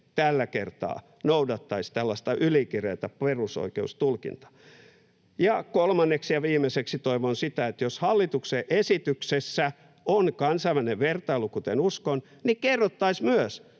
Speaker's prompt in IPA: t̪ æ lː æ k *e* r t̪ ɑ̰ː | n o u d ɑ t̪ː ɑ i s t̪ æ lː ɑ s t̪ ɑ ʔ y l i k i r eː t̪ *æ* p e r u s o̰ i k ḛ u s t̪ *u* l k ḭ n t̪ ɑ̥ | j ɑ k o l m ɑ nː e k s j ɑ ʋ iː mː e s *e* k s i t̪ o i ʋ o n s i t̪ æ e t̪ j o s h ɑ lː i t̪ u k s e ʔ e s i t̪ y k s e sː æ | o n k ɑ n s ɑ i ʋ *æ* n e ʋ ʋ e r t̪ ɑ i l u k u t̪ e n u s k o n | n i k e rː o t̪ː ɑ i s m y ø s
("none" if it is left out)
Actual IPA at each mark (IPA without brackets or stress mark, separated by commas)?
e, æ, u, e, æ